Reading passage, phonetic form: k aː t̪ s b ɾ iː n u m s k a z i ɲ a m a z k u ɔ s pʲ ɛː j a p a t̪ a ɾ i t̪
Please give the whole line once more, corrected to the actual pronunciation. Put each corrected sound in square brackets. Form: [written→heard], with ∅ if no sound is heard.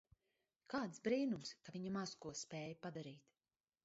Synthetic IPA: k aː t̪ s b ɾ iː n u m s k a [z→v] i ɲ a m a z k u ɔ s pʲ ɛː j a p a [t̪→d̪] a ɾ [i→iː] t̪